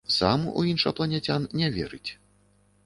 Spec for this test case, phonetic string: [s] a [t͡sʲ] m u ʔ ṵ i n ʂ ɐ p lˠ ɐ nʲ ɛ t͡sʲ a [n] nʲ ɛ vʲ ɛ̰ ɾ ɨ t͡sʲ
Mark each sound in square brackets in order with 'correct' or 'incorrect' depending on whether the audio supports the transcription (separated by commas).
correct, incorrect, correct